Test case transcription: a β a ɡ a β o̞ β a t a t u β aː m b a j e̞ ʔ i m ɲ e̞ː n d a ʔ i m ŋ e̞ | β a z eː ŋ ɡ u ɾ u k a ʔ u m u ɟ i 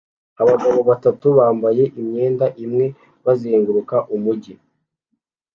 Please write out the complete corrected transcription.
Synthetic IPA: a β a ɡ a β o̞ β a t a t u β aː m b a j e̞ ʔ i m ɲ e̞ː n d a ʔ i m ŋ e̞ | β a z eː ŋ ɡ u ɾ u k a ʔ u m u ɟ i